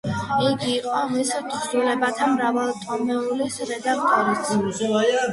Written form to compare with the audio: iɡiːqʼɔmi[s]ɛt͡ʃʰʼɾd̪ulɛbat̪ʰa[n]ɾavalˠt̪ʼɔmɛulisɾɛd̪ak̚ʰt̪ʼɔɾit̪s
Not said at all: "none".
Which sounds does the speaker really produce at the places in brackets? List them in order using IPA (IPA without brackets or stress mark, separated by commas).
s, m